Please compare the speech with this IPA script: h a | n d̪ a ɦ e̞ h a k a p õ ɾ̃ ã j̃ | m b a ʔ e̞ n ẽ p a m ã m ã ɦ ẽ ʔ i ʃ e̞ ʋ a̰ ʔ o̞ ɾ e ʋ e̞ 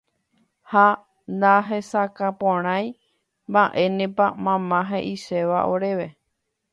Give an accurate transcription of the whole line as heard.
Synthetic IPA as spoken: h a | n d̪ a ɦ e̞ s a k a p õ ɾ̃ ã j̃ | m b a ʔ e̞ n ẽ p a m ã m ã ɦ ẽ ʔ i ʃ e̞ ʋ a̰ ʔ o̞ ɾ e ʋ e̞